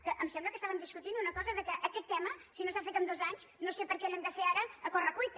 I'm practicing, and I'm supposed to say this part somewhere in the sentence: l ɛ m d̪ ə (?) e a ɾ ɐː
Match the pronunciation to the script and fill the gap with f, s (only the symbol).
f